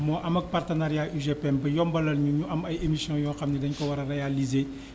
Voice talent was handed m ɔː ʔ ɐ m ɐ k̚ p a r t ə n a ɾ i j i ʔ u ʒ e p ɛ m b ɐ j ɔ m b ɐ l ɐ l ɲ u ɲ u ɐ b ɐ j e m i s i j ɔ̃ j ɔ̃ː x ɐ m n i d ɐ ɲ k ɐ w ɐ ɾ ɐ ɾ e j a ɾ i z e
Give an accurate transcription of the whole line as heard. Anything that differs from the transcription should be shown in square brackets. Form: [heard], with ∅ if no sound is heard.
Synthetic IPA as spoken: m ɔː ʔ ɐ m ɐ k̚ p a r t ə n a ɾ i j [a] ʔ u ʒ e p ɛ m b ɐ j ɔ m b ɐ l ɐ l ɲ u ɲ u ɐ [m] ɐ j e m i s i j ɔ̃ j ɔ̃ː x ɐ m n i d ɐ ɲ k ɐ w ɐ ɾ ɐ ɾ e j a [l] i z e